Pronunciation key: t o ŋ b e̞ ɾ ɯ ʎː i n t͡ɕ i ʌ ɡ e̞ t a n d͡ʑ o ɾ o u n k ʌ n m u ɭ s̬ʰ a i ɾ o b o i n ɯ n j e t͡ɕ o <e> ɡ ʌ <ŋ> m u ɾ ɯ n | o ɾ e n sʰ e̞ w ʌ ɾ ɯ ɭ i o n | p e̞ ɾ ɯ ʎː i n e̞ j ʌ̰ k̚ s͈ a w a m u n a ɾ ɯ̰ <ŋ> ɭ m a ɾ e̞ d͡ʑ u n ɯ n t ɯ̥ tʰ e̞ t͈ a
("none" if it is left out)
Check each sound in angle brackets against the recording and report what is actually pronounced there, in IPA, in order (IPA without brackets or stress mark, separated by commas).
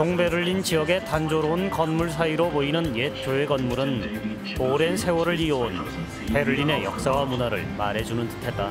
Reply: e, n, none